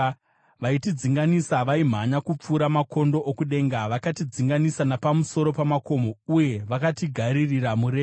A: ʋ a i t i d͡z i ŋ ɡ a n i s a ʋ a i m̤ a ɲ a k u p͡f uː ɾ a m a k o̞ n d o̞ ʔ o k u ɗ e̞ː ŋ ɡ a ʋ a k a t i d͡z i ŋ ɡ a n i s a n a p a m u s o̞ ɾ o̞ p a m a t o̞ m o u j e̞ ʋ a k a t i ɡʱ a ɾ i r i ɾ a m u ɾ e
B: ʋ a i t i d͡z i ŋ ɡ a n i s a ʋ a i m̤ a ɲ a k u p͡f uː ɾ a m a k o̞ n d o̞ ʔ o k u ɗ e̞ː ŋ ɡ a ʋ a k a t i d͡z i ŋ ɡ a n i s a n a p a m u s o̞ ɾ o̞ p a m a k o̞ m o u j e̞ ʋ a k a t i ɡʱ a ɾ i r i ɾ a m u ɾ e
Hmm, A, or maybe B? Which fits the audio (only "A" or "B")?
B